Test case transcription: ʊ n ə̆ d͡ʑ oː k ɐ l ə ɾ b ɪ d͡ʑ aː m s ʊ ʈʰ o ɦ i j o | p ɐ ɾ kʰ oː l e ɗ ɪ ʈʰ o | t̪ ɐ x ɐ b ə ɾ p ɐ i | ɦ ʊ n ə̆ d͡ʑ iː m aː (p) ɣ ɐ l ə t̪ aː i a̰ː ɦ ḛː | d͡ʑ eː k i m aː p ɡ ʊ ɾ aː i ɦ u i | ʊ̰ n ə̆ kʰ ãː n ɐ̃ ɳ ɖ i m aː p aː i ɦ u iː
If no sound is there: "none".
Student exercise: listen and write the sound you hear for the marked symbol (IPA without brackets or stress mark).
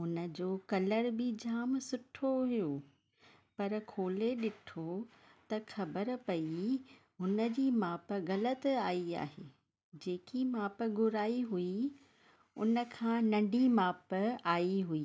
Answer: p